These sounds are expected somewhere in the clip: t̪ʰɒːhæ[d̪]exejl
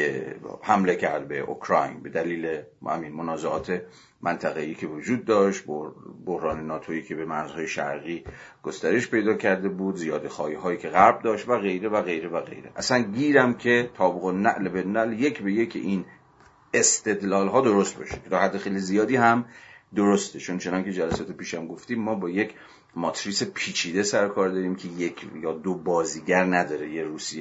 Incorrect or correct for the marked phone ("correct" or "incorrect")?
incorrect